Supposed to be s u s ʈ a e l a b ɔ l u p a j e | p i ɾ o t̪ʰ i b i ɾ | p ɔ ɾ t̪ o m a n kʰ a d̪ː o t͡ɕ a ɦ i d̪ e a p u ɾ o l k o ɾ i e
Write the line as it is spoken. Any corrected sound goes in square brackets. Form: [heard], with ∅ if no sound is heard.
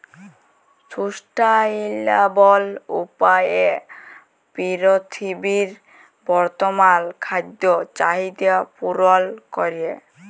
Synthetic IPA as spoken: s u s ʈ a [i] l a b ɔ l u p a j e | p i ɾ o t̪ʰ i b i ɾ | [b] ɔ ɾ t̪ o m a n kʰ a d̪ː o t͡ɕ a ɦ i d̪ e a p u ɾ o l k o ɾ i e

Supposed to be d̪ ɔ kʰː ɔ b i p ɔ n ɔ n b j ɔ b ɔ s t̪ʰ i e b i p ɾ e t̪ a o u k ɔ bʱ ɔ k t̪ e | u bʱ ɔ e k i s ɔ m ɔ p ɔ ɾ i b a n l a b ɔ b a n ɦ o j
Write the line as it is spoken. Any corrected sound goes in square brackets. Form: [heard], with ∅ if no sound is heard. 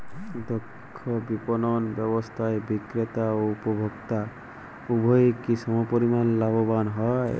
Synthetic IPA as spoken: d̪ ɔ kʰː ɔ b i p ɔ n ɔ n b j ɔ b ɔ s t̪ʰ [a] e b i [k] ɾ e t̪ a o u [p] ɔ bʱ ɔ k t̪ [a] | u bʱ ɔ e k i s ɔ m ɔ p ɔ ɾ i [m] a n l a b ɔ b a n ɦ [ɔ] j

